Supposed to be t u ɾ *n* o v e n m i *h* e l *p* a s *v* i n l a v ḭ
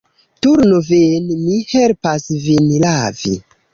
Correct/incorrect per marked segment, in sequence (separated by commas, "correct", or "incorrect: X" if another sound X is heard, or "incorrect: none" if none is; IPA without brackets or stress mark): correct, correct, correct, correct